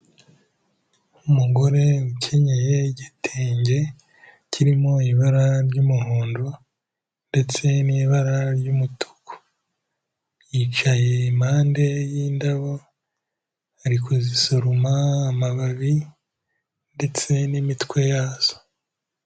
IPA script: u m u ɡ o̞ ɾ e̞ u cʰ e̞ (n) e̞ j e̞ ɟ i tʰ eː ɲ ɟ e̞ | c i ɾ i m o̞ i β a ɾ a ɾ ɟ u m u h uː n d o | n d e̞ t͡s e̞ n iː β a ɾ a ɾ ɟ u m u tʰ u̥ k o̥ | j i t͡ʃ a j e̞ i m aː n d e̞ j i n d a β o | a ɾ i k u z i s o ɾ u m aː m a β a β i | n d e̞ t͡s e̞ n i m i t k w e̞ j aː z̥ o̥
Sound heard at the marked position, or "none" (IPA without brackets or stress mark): ɲ